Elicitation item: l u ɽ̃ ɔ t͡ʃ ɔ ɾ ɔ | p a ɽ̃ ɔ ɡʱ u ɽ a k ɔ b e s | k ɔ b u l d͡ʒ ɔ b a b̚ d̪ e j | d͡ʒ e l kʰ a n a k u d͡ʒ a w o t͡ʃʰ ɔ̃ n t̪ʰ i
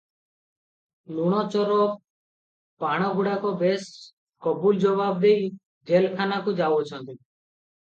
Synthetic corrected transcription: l u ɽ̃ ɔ t͡ʃ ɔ ɾ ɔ | p a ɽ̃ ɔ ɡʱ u ɽ a k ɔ b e s | k ɔ b u l d͡ʒ ɔ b a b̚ d̪ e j | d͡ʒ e l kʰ a n a k u d͡ʒ a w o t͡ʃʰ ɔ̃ n t̪ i